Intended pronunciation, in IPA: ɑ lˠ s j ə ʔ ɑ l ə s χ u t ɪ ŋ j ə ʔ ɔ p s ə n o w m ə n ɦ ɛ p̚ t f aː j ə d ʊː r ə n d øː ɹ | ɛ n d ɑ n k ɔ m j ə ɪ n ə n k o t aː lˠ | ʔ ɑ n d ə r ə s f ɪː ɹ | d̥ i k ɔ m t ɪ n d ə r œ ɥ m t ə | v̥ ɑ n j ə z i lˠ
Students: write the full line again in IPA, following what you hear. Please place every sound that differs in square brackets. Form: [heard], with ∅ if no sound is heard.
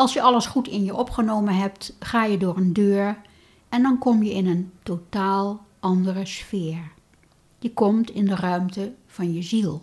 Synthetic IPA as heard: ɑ lˠ s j ə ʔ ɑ l ə s χ u t ɪ [n] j ə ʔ ɔ p [χ] ə n o w m ə n ɦ ɛ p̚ t [χ] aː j ə d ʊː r ə n d øː ɹ | ɛ n d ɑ n k ɔ m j ə ɪ n ə n [t] o t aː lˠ | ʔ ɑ n d ə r ə s f ɪː ɹ | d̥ i k ɔ m t ɪ n d ə r œ ɥ m t ə | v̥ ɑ n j ə z i lˠ